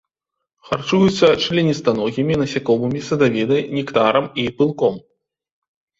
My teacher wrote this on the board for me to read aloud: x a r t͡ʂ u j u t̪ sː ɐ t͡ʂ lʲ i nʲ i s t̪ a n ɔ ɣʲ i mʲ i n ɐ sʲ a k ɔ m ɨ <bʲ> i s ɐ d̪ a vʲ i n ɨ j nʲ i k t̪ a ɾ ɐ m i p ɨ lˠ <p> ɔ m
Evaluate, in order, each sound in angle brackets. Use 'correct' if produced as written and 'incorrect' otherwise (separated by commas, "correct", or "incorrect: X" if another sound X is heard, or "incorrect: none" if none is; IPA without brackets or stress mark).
incorrect: mʲ, incorrect: k